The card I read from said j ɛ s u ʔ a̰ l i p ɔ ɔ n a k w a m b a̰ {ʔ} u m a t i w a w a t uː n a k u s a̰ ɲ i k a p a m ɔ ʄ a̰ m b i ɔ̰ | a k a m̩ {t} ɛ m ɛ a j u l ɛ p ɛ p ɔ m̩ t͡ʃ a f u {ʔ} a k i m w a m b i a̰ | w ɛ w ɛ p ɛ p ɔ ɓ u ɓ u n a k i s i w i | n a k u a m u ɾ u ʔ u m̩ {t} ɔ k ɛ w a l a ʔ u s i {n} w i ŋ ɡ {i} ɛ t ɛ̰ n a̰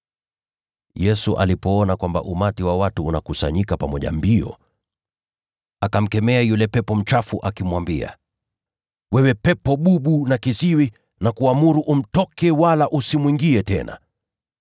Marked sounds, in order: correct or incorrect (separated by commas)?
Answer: correct, incorrect, correct, correct, incorrect, correct